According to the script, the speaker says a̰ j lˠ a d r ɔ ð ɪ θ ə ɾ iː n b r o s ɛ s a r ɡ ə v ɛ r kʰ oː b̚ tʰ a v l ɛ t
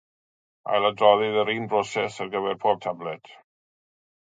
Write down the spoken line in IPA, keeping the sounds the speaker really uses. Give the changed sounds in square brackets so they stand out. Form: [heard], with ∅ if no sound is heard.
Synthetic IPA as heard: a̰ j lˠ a d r ɔ ð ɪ [ð] ə ɾ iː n b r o s ɛ s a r ɡ ə v ɛ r [pʰ] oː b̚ tʰ a [b] l ɛ t